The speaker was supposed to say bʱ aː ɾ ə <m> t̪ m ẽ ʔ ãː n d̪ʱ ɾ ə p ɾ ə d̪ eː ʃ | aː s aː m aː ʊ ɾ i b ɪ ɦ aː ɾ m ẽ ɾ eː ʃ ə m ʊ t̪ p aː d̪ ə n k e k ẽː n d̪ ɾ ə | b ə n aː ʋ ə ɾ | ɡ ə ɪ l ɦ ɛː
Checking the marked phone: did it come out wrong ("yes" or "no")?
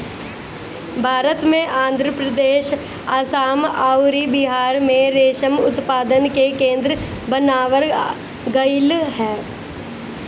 yes